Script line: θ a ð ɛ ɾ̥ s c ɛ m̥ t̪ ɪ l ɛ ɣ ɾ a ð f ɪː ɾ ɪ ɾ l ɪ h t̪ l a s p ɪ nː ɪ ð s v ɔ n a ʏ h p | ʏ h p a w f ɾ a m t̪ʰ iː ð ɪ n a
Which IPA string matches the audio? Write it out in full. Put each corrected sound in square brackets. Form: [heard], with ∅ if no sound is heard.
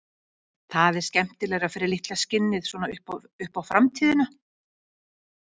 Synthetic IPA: θ a ð ɛ ɾ̥ s c ɛ m̥ t̪ ɪ l ɛ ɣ ɾ a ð f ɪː ɾ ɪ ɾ l ɪ h t̪ l a s [c] ɪ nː ɪ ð s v ɔ n a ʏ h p | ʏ h p a w f ɾ a m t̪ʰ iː ð ɪ n a